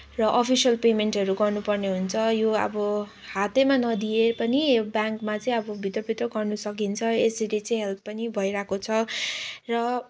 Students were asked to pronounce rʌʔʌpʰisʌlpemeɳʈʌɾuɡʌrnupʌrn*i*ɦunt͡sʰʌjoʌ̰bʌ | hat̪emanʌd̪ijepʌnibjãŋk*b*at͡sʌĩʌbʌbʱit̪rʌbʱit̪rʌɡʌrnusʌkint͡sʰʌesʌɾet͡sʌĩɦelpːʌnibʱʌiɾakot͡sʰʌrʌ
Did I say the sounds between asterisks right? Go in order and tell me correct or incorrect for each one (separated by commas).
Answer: incorrect, incorrect